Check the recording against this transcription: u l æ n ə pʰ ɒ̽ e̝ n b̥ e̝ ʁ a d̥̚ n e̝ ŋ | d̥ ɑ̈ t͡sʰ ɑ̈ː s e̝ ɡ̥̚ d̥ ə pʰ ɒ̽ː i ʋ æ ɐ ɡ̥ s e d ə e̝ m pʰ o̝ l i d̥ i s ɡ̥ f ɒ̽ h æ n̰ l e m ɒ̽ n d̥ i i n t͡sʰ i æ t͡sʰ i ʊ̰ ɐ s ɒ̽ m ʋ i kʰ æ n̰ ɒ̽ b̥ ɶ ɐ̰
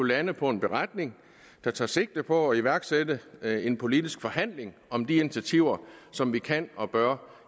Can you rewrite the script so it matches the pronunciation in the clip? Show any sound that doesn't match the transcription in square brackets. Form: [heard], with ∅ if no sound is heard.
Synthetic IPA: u l æ n ə pʰ ɒ̽ e̝ n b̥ e̝ ʁ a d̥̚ n e̝ ŋ | d̥ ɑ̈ t͡sʰ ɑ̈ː s e̝ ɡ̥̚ d̥ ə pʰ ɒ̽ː i ʋ æ ɐ ɡ̥ s e d ə e̝ [n] pʰ o̝ l i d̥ i s ɡ̥ f ɒ̽ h æ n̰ l e [ŋ] ɒ̽ [m] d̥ i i n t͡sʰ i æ t͡sʰ i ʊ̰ ɐ s ɒ̽ m ʋ i kʰ æ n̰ ɒ̽ b̥ ɶ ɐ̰

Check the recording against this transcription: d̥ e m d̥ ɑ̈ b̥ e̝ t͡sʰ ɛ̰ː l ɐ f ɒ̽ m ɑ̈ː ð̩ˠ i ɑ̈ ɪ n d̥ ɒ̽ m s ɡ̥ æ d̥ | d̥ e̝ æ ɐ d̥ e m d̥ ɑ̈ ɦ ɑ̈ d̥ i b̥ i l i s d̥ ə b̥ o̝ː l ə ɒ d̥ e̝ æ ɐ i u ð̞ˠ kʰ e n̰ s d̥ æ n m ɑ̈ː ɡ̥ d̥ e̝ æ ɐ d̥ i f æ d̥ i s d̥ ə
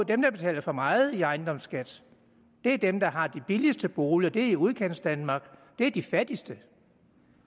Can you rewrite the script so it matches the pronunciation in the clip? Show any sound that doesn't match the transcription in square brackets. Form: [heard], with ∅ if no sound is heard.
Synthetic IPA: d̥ e m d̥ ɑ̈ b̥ e̝ t͡sʰ ɛ̰ː l ɐ f ɒ̽ m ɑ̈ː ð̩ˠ i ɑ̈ ɪ n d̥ ɒ̽ m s ɡ̥ æ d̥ | d̥ e̝ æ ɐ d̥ e m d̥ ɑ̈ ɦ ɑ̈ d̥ i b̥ i l i s d̥ ə b̥ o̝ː l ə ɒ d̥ e̝ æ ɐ i u ð̞ˠ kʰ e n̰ s d̥ æ n m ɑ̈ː ɡ̥ d̥ e̝ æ ɐ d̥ i f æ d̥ i s d̥ ə

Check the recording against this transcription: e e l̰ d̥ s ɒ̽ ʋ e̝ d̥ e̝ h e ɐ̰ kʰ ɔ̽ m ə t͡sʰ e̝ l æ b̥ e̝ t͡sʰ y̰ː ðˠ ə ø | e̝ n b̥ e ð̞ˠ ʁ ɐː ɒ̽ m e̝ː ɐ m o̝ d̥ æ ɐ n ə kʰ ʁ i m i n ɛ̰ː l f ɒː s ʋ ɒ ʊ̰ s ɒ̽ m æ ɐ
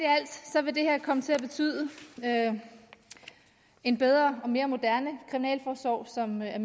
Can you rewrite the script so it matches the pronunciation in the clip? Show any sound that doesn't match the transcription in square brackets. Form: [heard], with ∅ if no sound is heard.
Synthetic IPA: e [æ] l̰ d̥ s ɒ̽ ʋ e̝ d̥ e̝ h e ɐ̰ kʰ [ɒ̽] m ə t͡sʰ e̝ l æ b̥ e̝ t͡sʰ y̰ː ðˠ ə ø | e̝ n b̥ e ð̞ˠ ʁ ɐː ɒ̽ m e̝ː ɐ m o̝ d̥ æ ɐ n ə kʰ ʁ i m i n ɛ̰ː l f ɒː s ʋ ɒ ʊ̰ s ɒ̽ m æ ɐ

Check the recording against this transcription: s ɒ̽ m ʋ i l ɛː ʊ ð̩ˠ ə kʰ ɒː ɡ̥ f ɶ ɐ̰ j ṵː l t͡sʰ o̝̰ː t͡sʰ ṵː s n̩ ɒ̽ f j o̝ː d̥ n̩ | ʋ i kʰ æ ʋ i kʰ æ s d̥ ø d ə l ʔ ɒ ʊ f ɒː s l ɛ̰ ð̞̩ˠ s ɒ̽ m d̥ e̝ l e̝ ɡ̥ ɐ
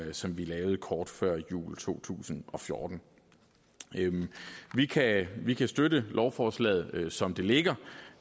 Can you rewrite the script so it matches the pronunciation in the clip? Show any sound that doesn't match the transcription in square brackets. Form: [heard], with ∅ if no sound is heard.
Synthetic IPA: s ɒ̽ m ʋ i l ɛː ʊ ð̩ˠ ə kʰ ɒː [d̥] f ɶ ɐ̰ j ṵː l t͡sʰ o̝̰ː t͡sʰ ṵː s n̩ ɒ̽ f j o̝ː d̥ n̩ | ʋ i kʰ æ ʋ i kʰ æ s d̥ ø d ə l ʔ ɒ ʊ f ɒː s l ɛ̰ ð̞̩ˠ s ɒ̽ m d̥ e̝ l e̝ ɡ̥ ɐ

